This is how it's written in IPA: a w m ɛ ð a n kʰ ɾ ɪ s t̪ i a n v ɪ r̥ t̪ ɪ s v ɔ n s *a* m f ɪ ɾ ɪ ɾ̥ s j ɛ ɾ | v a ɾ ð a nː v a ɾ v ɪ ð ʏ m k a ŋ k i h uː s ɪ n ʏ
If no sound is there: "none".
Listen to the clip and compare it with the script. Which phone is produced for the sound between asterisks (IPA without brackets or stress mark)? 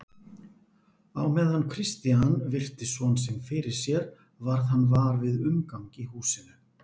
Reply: ɛ